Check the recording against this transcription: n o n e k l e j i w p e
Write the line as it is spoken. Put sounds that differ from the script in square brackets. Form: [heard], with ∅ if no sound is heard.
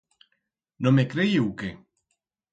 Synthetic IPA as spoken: n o [m] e k [ɾ] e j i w [k] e